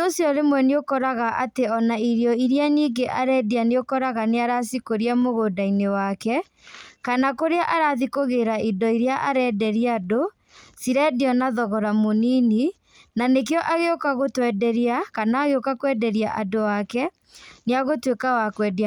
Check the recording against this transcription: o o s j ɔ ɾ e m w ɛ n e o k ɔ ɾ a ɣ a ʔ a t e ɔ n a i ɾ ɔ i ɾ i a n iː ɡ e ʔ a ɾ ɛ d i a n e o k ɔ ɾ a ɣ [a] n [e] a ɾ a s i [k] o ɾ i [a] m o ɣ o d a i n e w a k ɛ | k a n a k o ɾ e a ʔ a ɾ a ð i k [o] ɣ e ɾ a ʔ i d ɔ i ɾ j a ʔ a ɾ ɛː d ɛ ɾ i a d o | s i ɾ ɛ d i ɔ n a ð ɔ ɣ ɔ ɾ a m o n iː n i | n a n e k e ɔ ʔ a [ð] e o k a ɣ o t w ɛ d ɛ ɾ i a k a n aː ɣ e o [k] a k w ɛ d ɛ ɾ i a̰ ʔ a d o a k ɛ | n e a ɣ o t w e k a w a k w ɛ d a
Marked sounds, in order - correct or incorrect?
correct, correct, correct, correct, correct, incorrect, correct

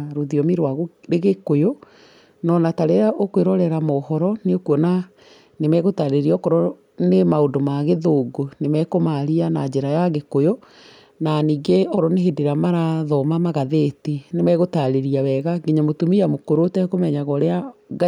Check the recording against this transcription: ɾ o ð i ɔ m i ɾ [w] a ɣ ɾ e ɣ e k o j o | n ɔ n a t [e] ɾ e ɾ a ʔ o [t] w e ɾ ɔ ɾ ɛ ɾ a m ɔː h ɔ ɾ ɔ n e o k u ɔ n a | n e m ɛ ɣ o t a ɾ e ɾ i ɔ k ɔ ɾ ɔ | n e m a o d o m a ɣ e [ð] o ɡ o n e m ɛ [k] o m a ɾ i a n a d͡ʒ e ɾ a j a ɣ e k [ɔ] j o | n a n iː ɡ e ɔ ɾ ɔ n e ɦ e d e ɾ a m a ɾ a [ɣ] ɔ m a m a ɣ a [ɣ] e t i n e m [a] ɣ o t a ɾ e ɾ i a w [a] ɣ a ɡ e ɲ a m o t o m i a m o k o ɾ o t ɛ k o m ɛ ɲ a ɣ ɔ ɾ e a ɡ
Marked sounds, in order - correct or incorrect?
correct, incorrect, incorrect, correct, correct, incorrect, incorrect, incorrect, incorrect, incorrect

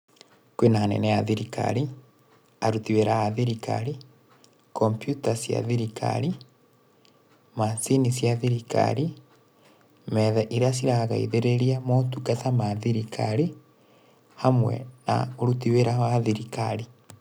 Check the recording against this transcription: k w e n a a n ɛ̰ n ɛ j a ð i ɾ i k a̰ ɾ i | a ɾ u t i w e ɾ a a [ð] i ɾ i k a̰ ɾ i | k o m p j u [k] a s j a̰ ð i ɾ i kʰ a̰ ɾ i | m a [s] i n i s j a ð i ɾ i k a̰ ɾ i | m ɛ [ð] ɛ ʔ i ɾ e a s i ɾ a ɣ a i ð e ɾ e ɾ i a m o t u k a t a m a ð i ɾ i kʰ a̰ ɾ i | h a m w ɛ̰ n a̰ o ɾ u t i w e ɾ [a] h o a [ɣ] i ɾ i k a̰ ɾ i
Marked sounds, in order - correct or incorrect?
correct, incorrect, correct, correct, correct, incorrect

